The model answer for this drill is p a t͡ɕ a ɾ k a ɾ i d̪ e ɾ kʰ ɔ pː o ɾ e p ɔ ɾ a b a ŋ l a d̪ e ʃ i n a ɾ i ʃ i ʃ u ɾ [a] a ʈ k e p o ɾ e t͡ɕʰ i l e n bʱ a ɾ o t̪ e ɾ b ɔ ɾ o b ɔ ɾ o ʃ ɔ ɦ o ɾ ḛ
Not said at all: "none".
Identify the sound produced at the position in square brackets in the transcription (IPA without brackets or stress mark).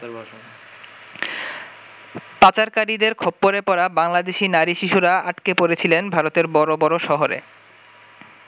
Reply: a